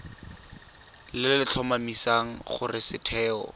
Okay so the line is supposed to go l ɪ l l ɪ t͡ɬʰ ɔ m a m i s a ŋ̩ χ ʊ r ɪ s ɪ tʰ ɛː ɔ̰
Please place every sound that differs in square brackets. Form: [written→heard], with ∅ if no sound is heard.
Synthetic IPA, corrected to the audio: l ɪ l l ɪ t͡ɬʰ ɔ m a m i s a ŋ̩ χ ʊ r ɪ s ɪ tʰ ɛː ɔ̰